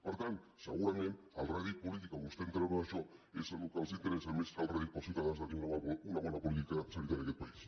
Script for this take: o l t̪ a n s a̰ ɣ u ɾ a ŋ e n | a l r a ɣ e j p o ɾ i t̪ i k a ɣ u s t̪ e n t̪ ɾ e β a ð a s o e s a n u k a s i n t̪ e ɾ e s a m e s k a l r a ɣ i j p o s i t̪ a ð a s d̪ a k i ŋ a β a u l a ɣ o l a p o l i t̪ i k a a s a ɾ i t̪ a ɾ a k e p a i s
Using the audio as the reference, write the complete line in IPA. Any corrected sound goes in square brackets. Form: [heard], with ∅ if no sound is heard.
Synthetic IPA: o [ɾ] t̪ a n s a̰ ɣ u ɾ a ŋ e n | a l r a ɣ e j p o [l] i t̪ i k a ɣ u s t̪ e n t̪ ɾ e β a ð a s o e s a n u k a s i n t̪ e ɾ e s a m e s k a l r a ɣ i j p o s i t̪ a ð a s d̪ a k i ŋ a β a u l a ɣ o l a p o l i t̪ i k a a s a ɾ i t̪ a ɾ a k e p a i s